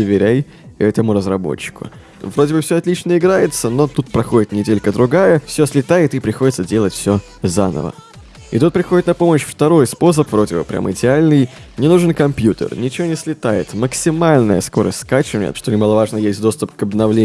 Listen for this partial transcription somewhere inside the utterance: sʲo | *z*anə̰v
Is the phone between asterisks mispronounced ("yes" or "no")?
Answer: no